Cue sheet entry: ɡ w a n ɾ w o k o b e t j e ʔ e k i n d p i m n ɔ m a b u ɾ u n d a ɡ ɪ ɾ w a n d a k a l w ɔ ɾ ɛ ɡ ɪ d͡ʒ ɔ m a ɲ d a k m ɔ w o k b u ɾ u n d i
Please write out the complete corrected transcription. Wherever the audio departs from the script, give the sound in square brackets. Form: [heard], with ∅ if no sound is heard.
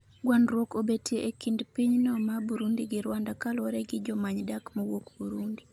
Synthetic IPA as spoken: ɡ w a n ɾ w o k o b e t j e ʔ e k i n d p i [ɲ] n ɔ m a b u ɾ u n d [i] ɡ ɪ ɾ w a n d a k a l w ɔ ɾ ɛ ɡ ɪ d͡ʒ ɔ m a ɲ d a k m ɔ w o k b u ɾ u n d i